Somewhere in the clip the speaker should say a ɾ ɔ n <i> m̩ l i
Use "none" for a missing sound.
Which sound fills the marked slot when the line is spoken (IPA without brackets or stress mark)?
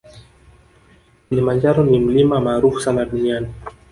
i